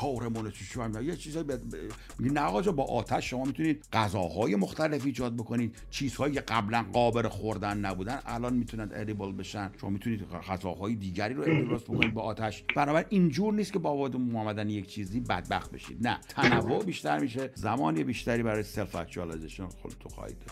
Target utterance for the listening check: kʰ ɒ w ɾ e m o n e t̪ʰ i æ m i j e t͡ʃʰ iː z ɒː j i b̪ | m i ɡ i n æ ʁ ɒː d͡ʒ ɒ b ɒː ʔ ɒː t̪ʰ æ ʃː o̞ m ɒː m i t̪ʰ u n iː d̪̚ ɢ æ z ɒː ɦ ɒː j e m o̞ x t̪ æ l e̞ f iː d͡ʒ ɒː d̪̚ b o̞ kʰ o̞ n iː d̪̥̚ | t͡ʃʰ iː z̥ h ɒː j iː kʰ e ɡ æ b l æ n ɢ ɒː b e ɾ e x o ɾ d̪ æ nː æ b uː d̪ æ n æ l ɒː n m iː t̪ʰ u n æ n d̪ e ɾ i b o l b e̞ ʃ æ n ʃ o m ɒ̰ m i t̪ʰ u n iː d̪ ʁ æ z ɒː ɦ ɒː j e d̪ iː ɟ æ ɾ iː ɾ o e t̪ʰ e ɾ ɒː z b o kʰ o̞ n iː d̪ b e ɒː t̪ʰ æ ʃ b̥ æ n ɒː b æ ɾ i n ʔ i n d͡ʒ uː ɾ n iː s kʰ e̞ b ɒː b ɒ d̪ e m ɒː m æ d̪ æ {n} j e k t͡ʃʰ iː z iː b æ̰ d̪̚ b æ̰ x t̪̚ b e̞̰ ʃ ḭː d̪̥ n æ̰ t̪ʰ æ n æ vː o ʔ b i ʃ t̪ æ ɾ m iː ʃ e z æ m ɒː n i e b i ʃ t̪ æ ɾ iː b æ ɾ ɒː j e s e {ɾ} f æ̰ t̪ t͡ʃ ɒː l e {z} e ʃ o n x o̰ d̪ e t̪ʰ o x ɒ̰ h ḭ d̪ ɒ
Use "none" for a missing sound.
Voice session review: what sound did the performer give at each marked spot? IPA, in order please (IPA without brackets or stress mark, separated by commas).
n, l, z